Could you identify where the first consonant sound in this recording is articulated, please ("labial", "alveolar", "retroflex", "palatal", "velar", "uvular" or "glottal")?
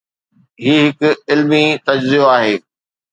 glottal